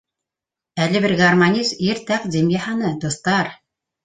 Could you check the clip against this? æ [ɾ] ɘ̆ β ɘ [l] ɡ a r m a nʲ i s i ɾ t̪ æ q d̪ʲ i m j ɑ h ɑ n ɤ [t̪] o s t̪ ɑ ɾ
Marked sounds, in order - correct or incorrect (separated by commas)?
incorrect, incorrect, incorrect